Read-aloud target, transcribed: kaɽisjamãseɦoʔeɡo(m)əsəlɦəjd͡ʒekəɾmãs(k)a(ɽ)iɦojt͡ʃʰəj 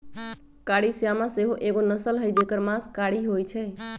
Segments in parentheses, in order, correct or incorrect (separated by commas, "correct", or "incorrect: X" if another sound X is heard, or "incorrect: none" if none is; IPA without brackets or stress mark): incorrect: n, correct, correct